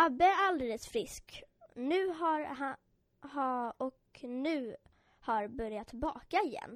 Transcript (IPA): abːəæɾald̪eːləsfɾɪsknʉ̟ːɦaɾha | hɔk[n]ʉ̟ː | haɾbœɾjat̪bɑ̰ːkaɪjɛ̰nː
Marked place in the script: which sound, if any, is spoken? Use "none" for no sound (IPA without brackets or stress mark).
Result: n